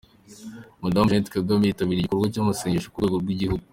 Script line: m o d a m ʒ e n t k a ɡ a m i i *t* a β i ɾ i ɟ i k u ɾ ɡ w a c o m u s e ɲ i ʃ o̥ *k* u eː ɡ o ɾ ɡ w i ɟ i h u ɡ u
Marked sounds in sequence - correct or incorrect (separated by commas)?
correct, correct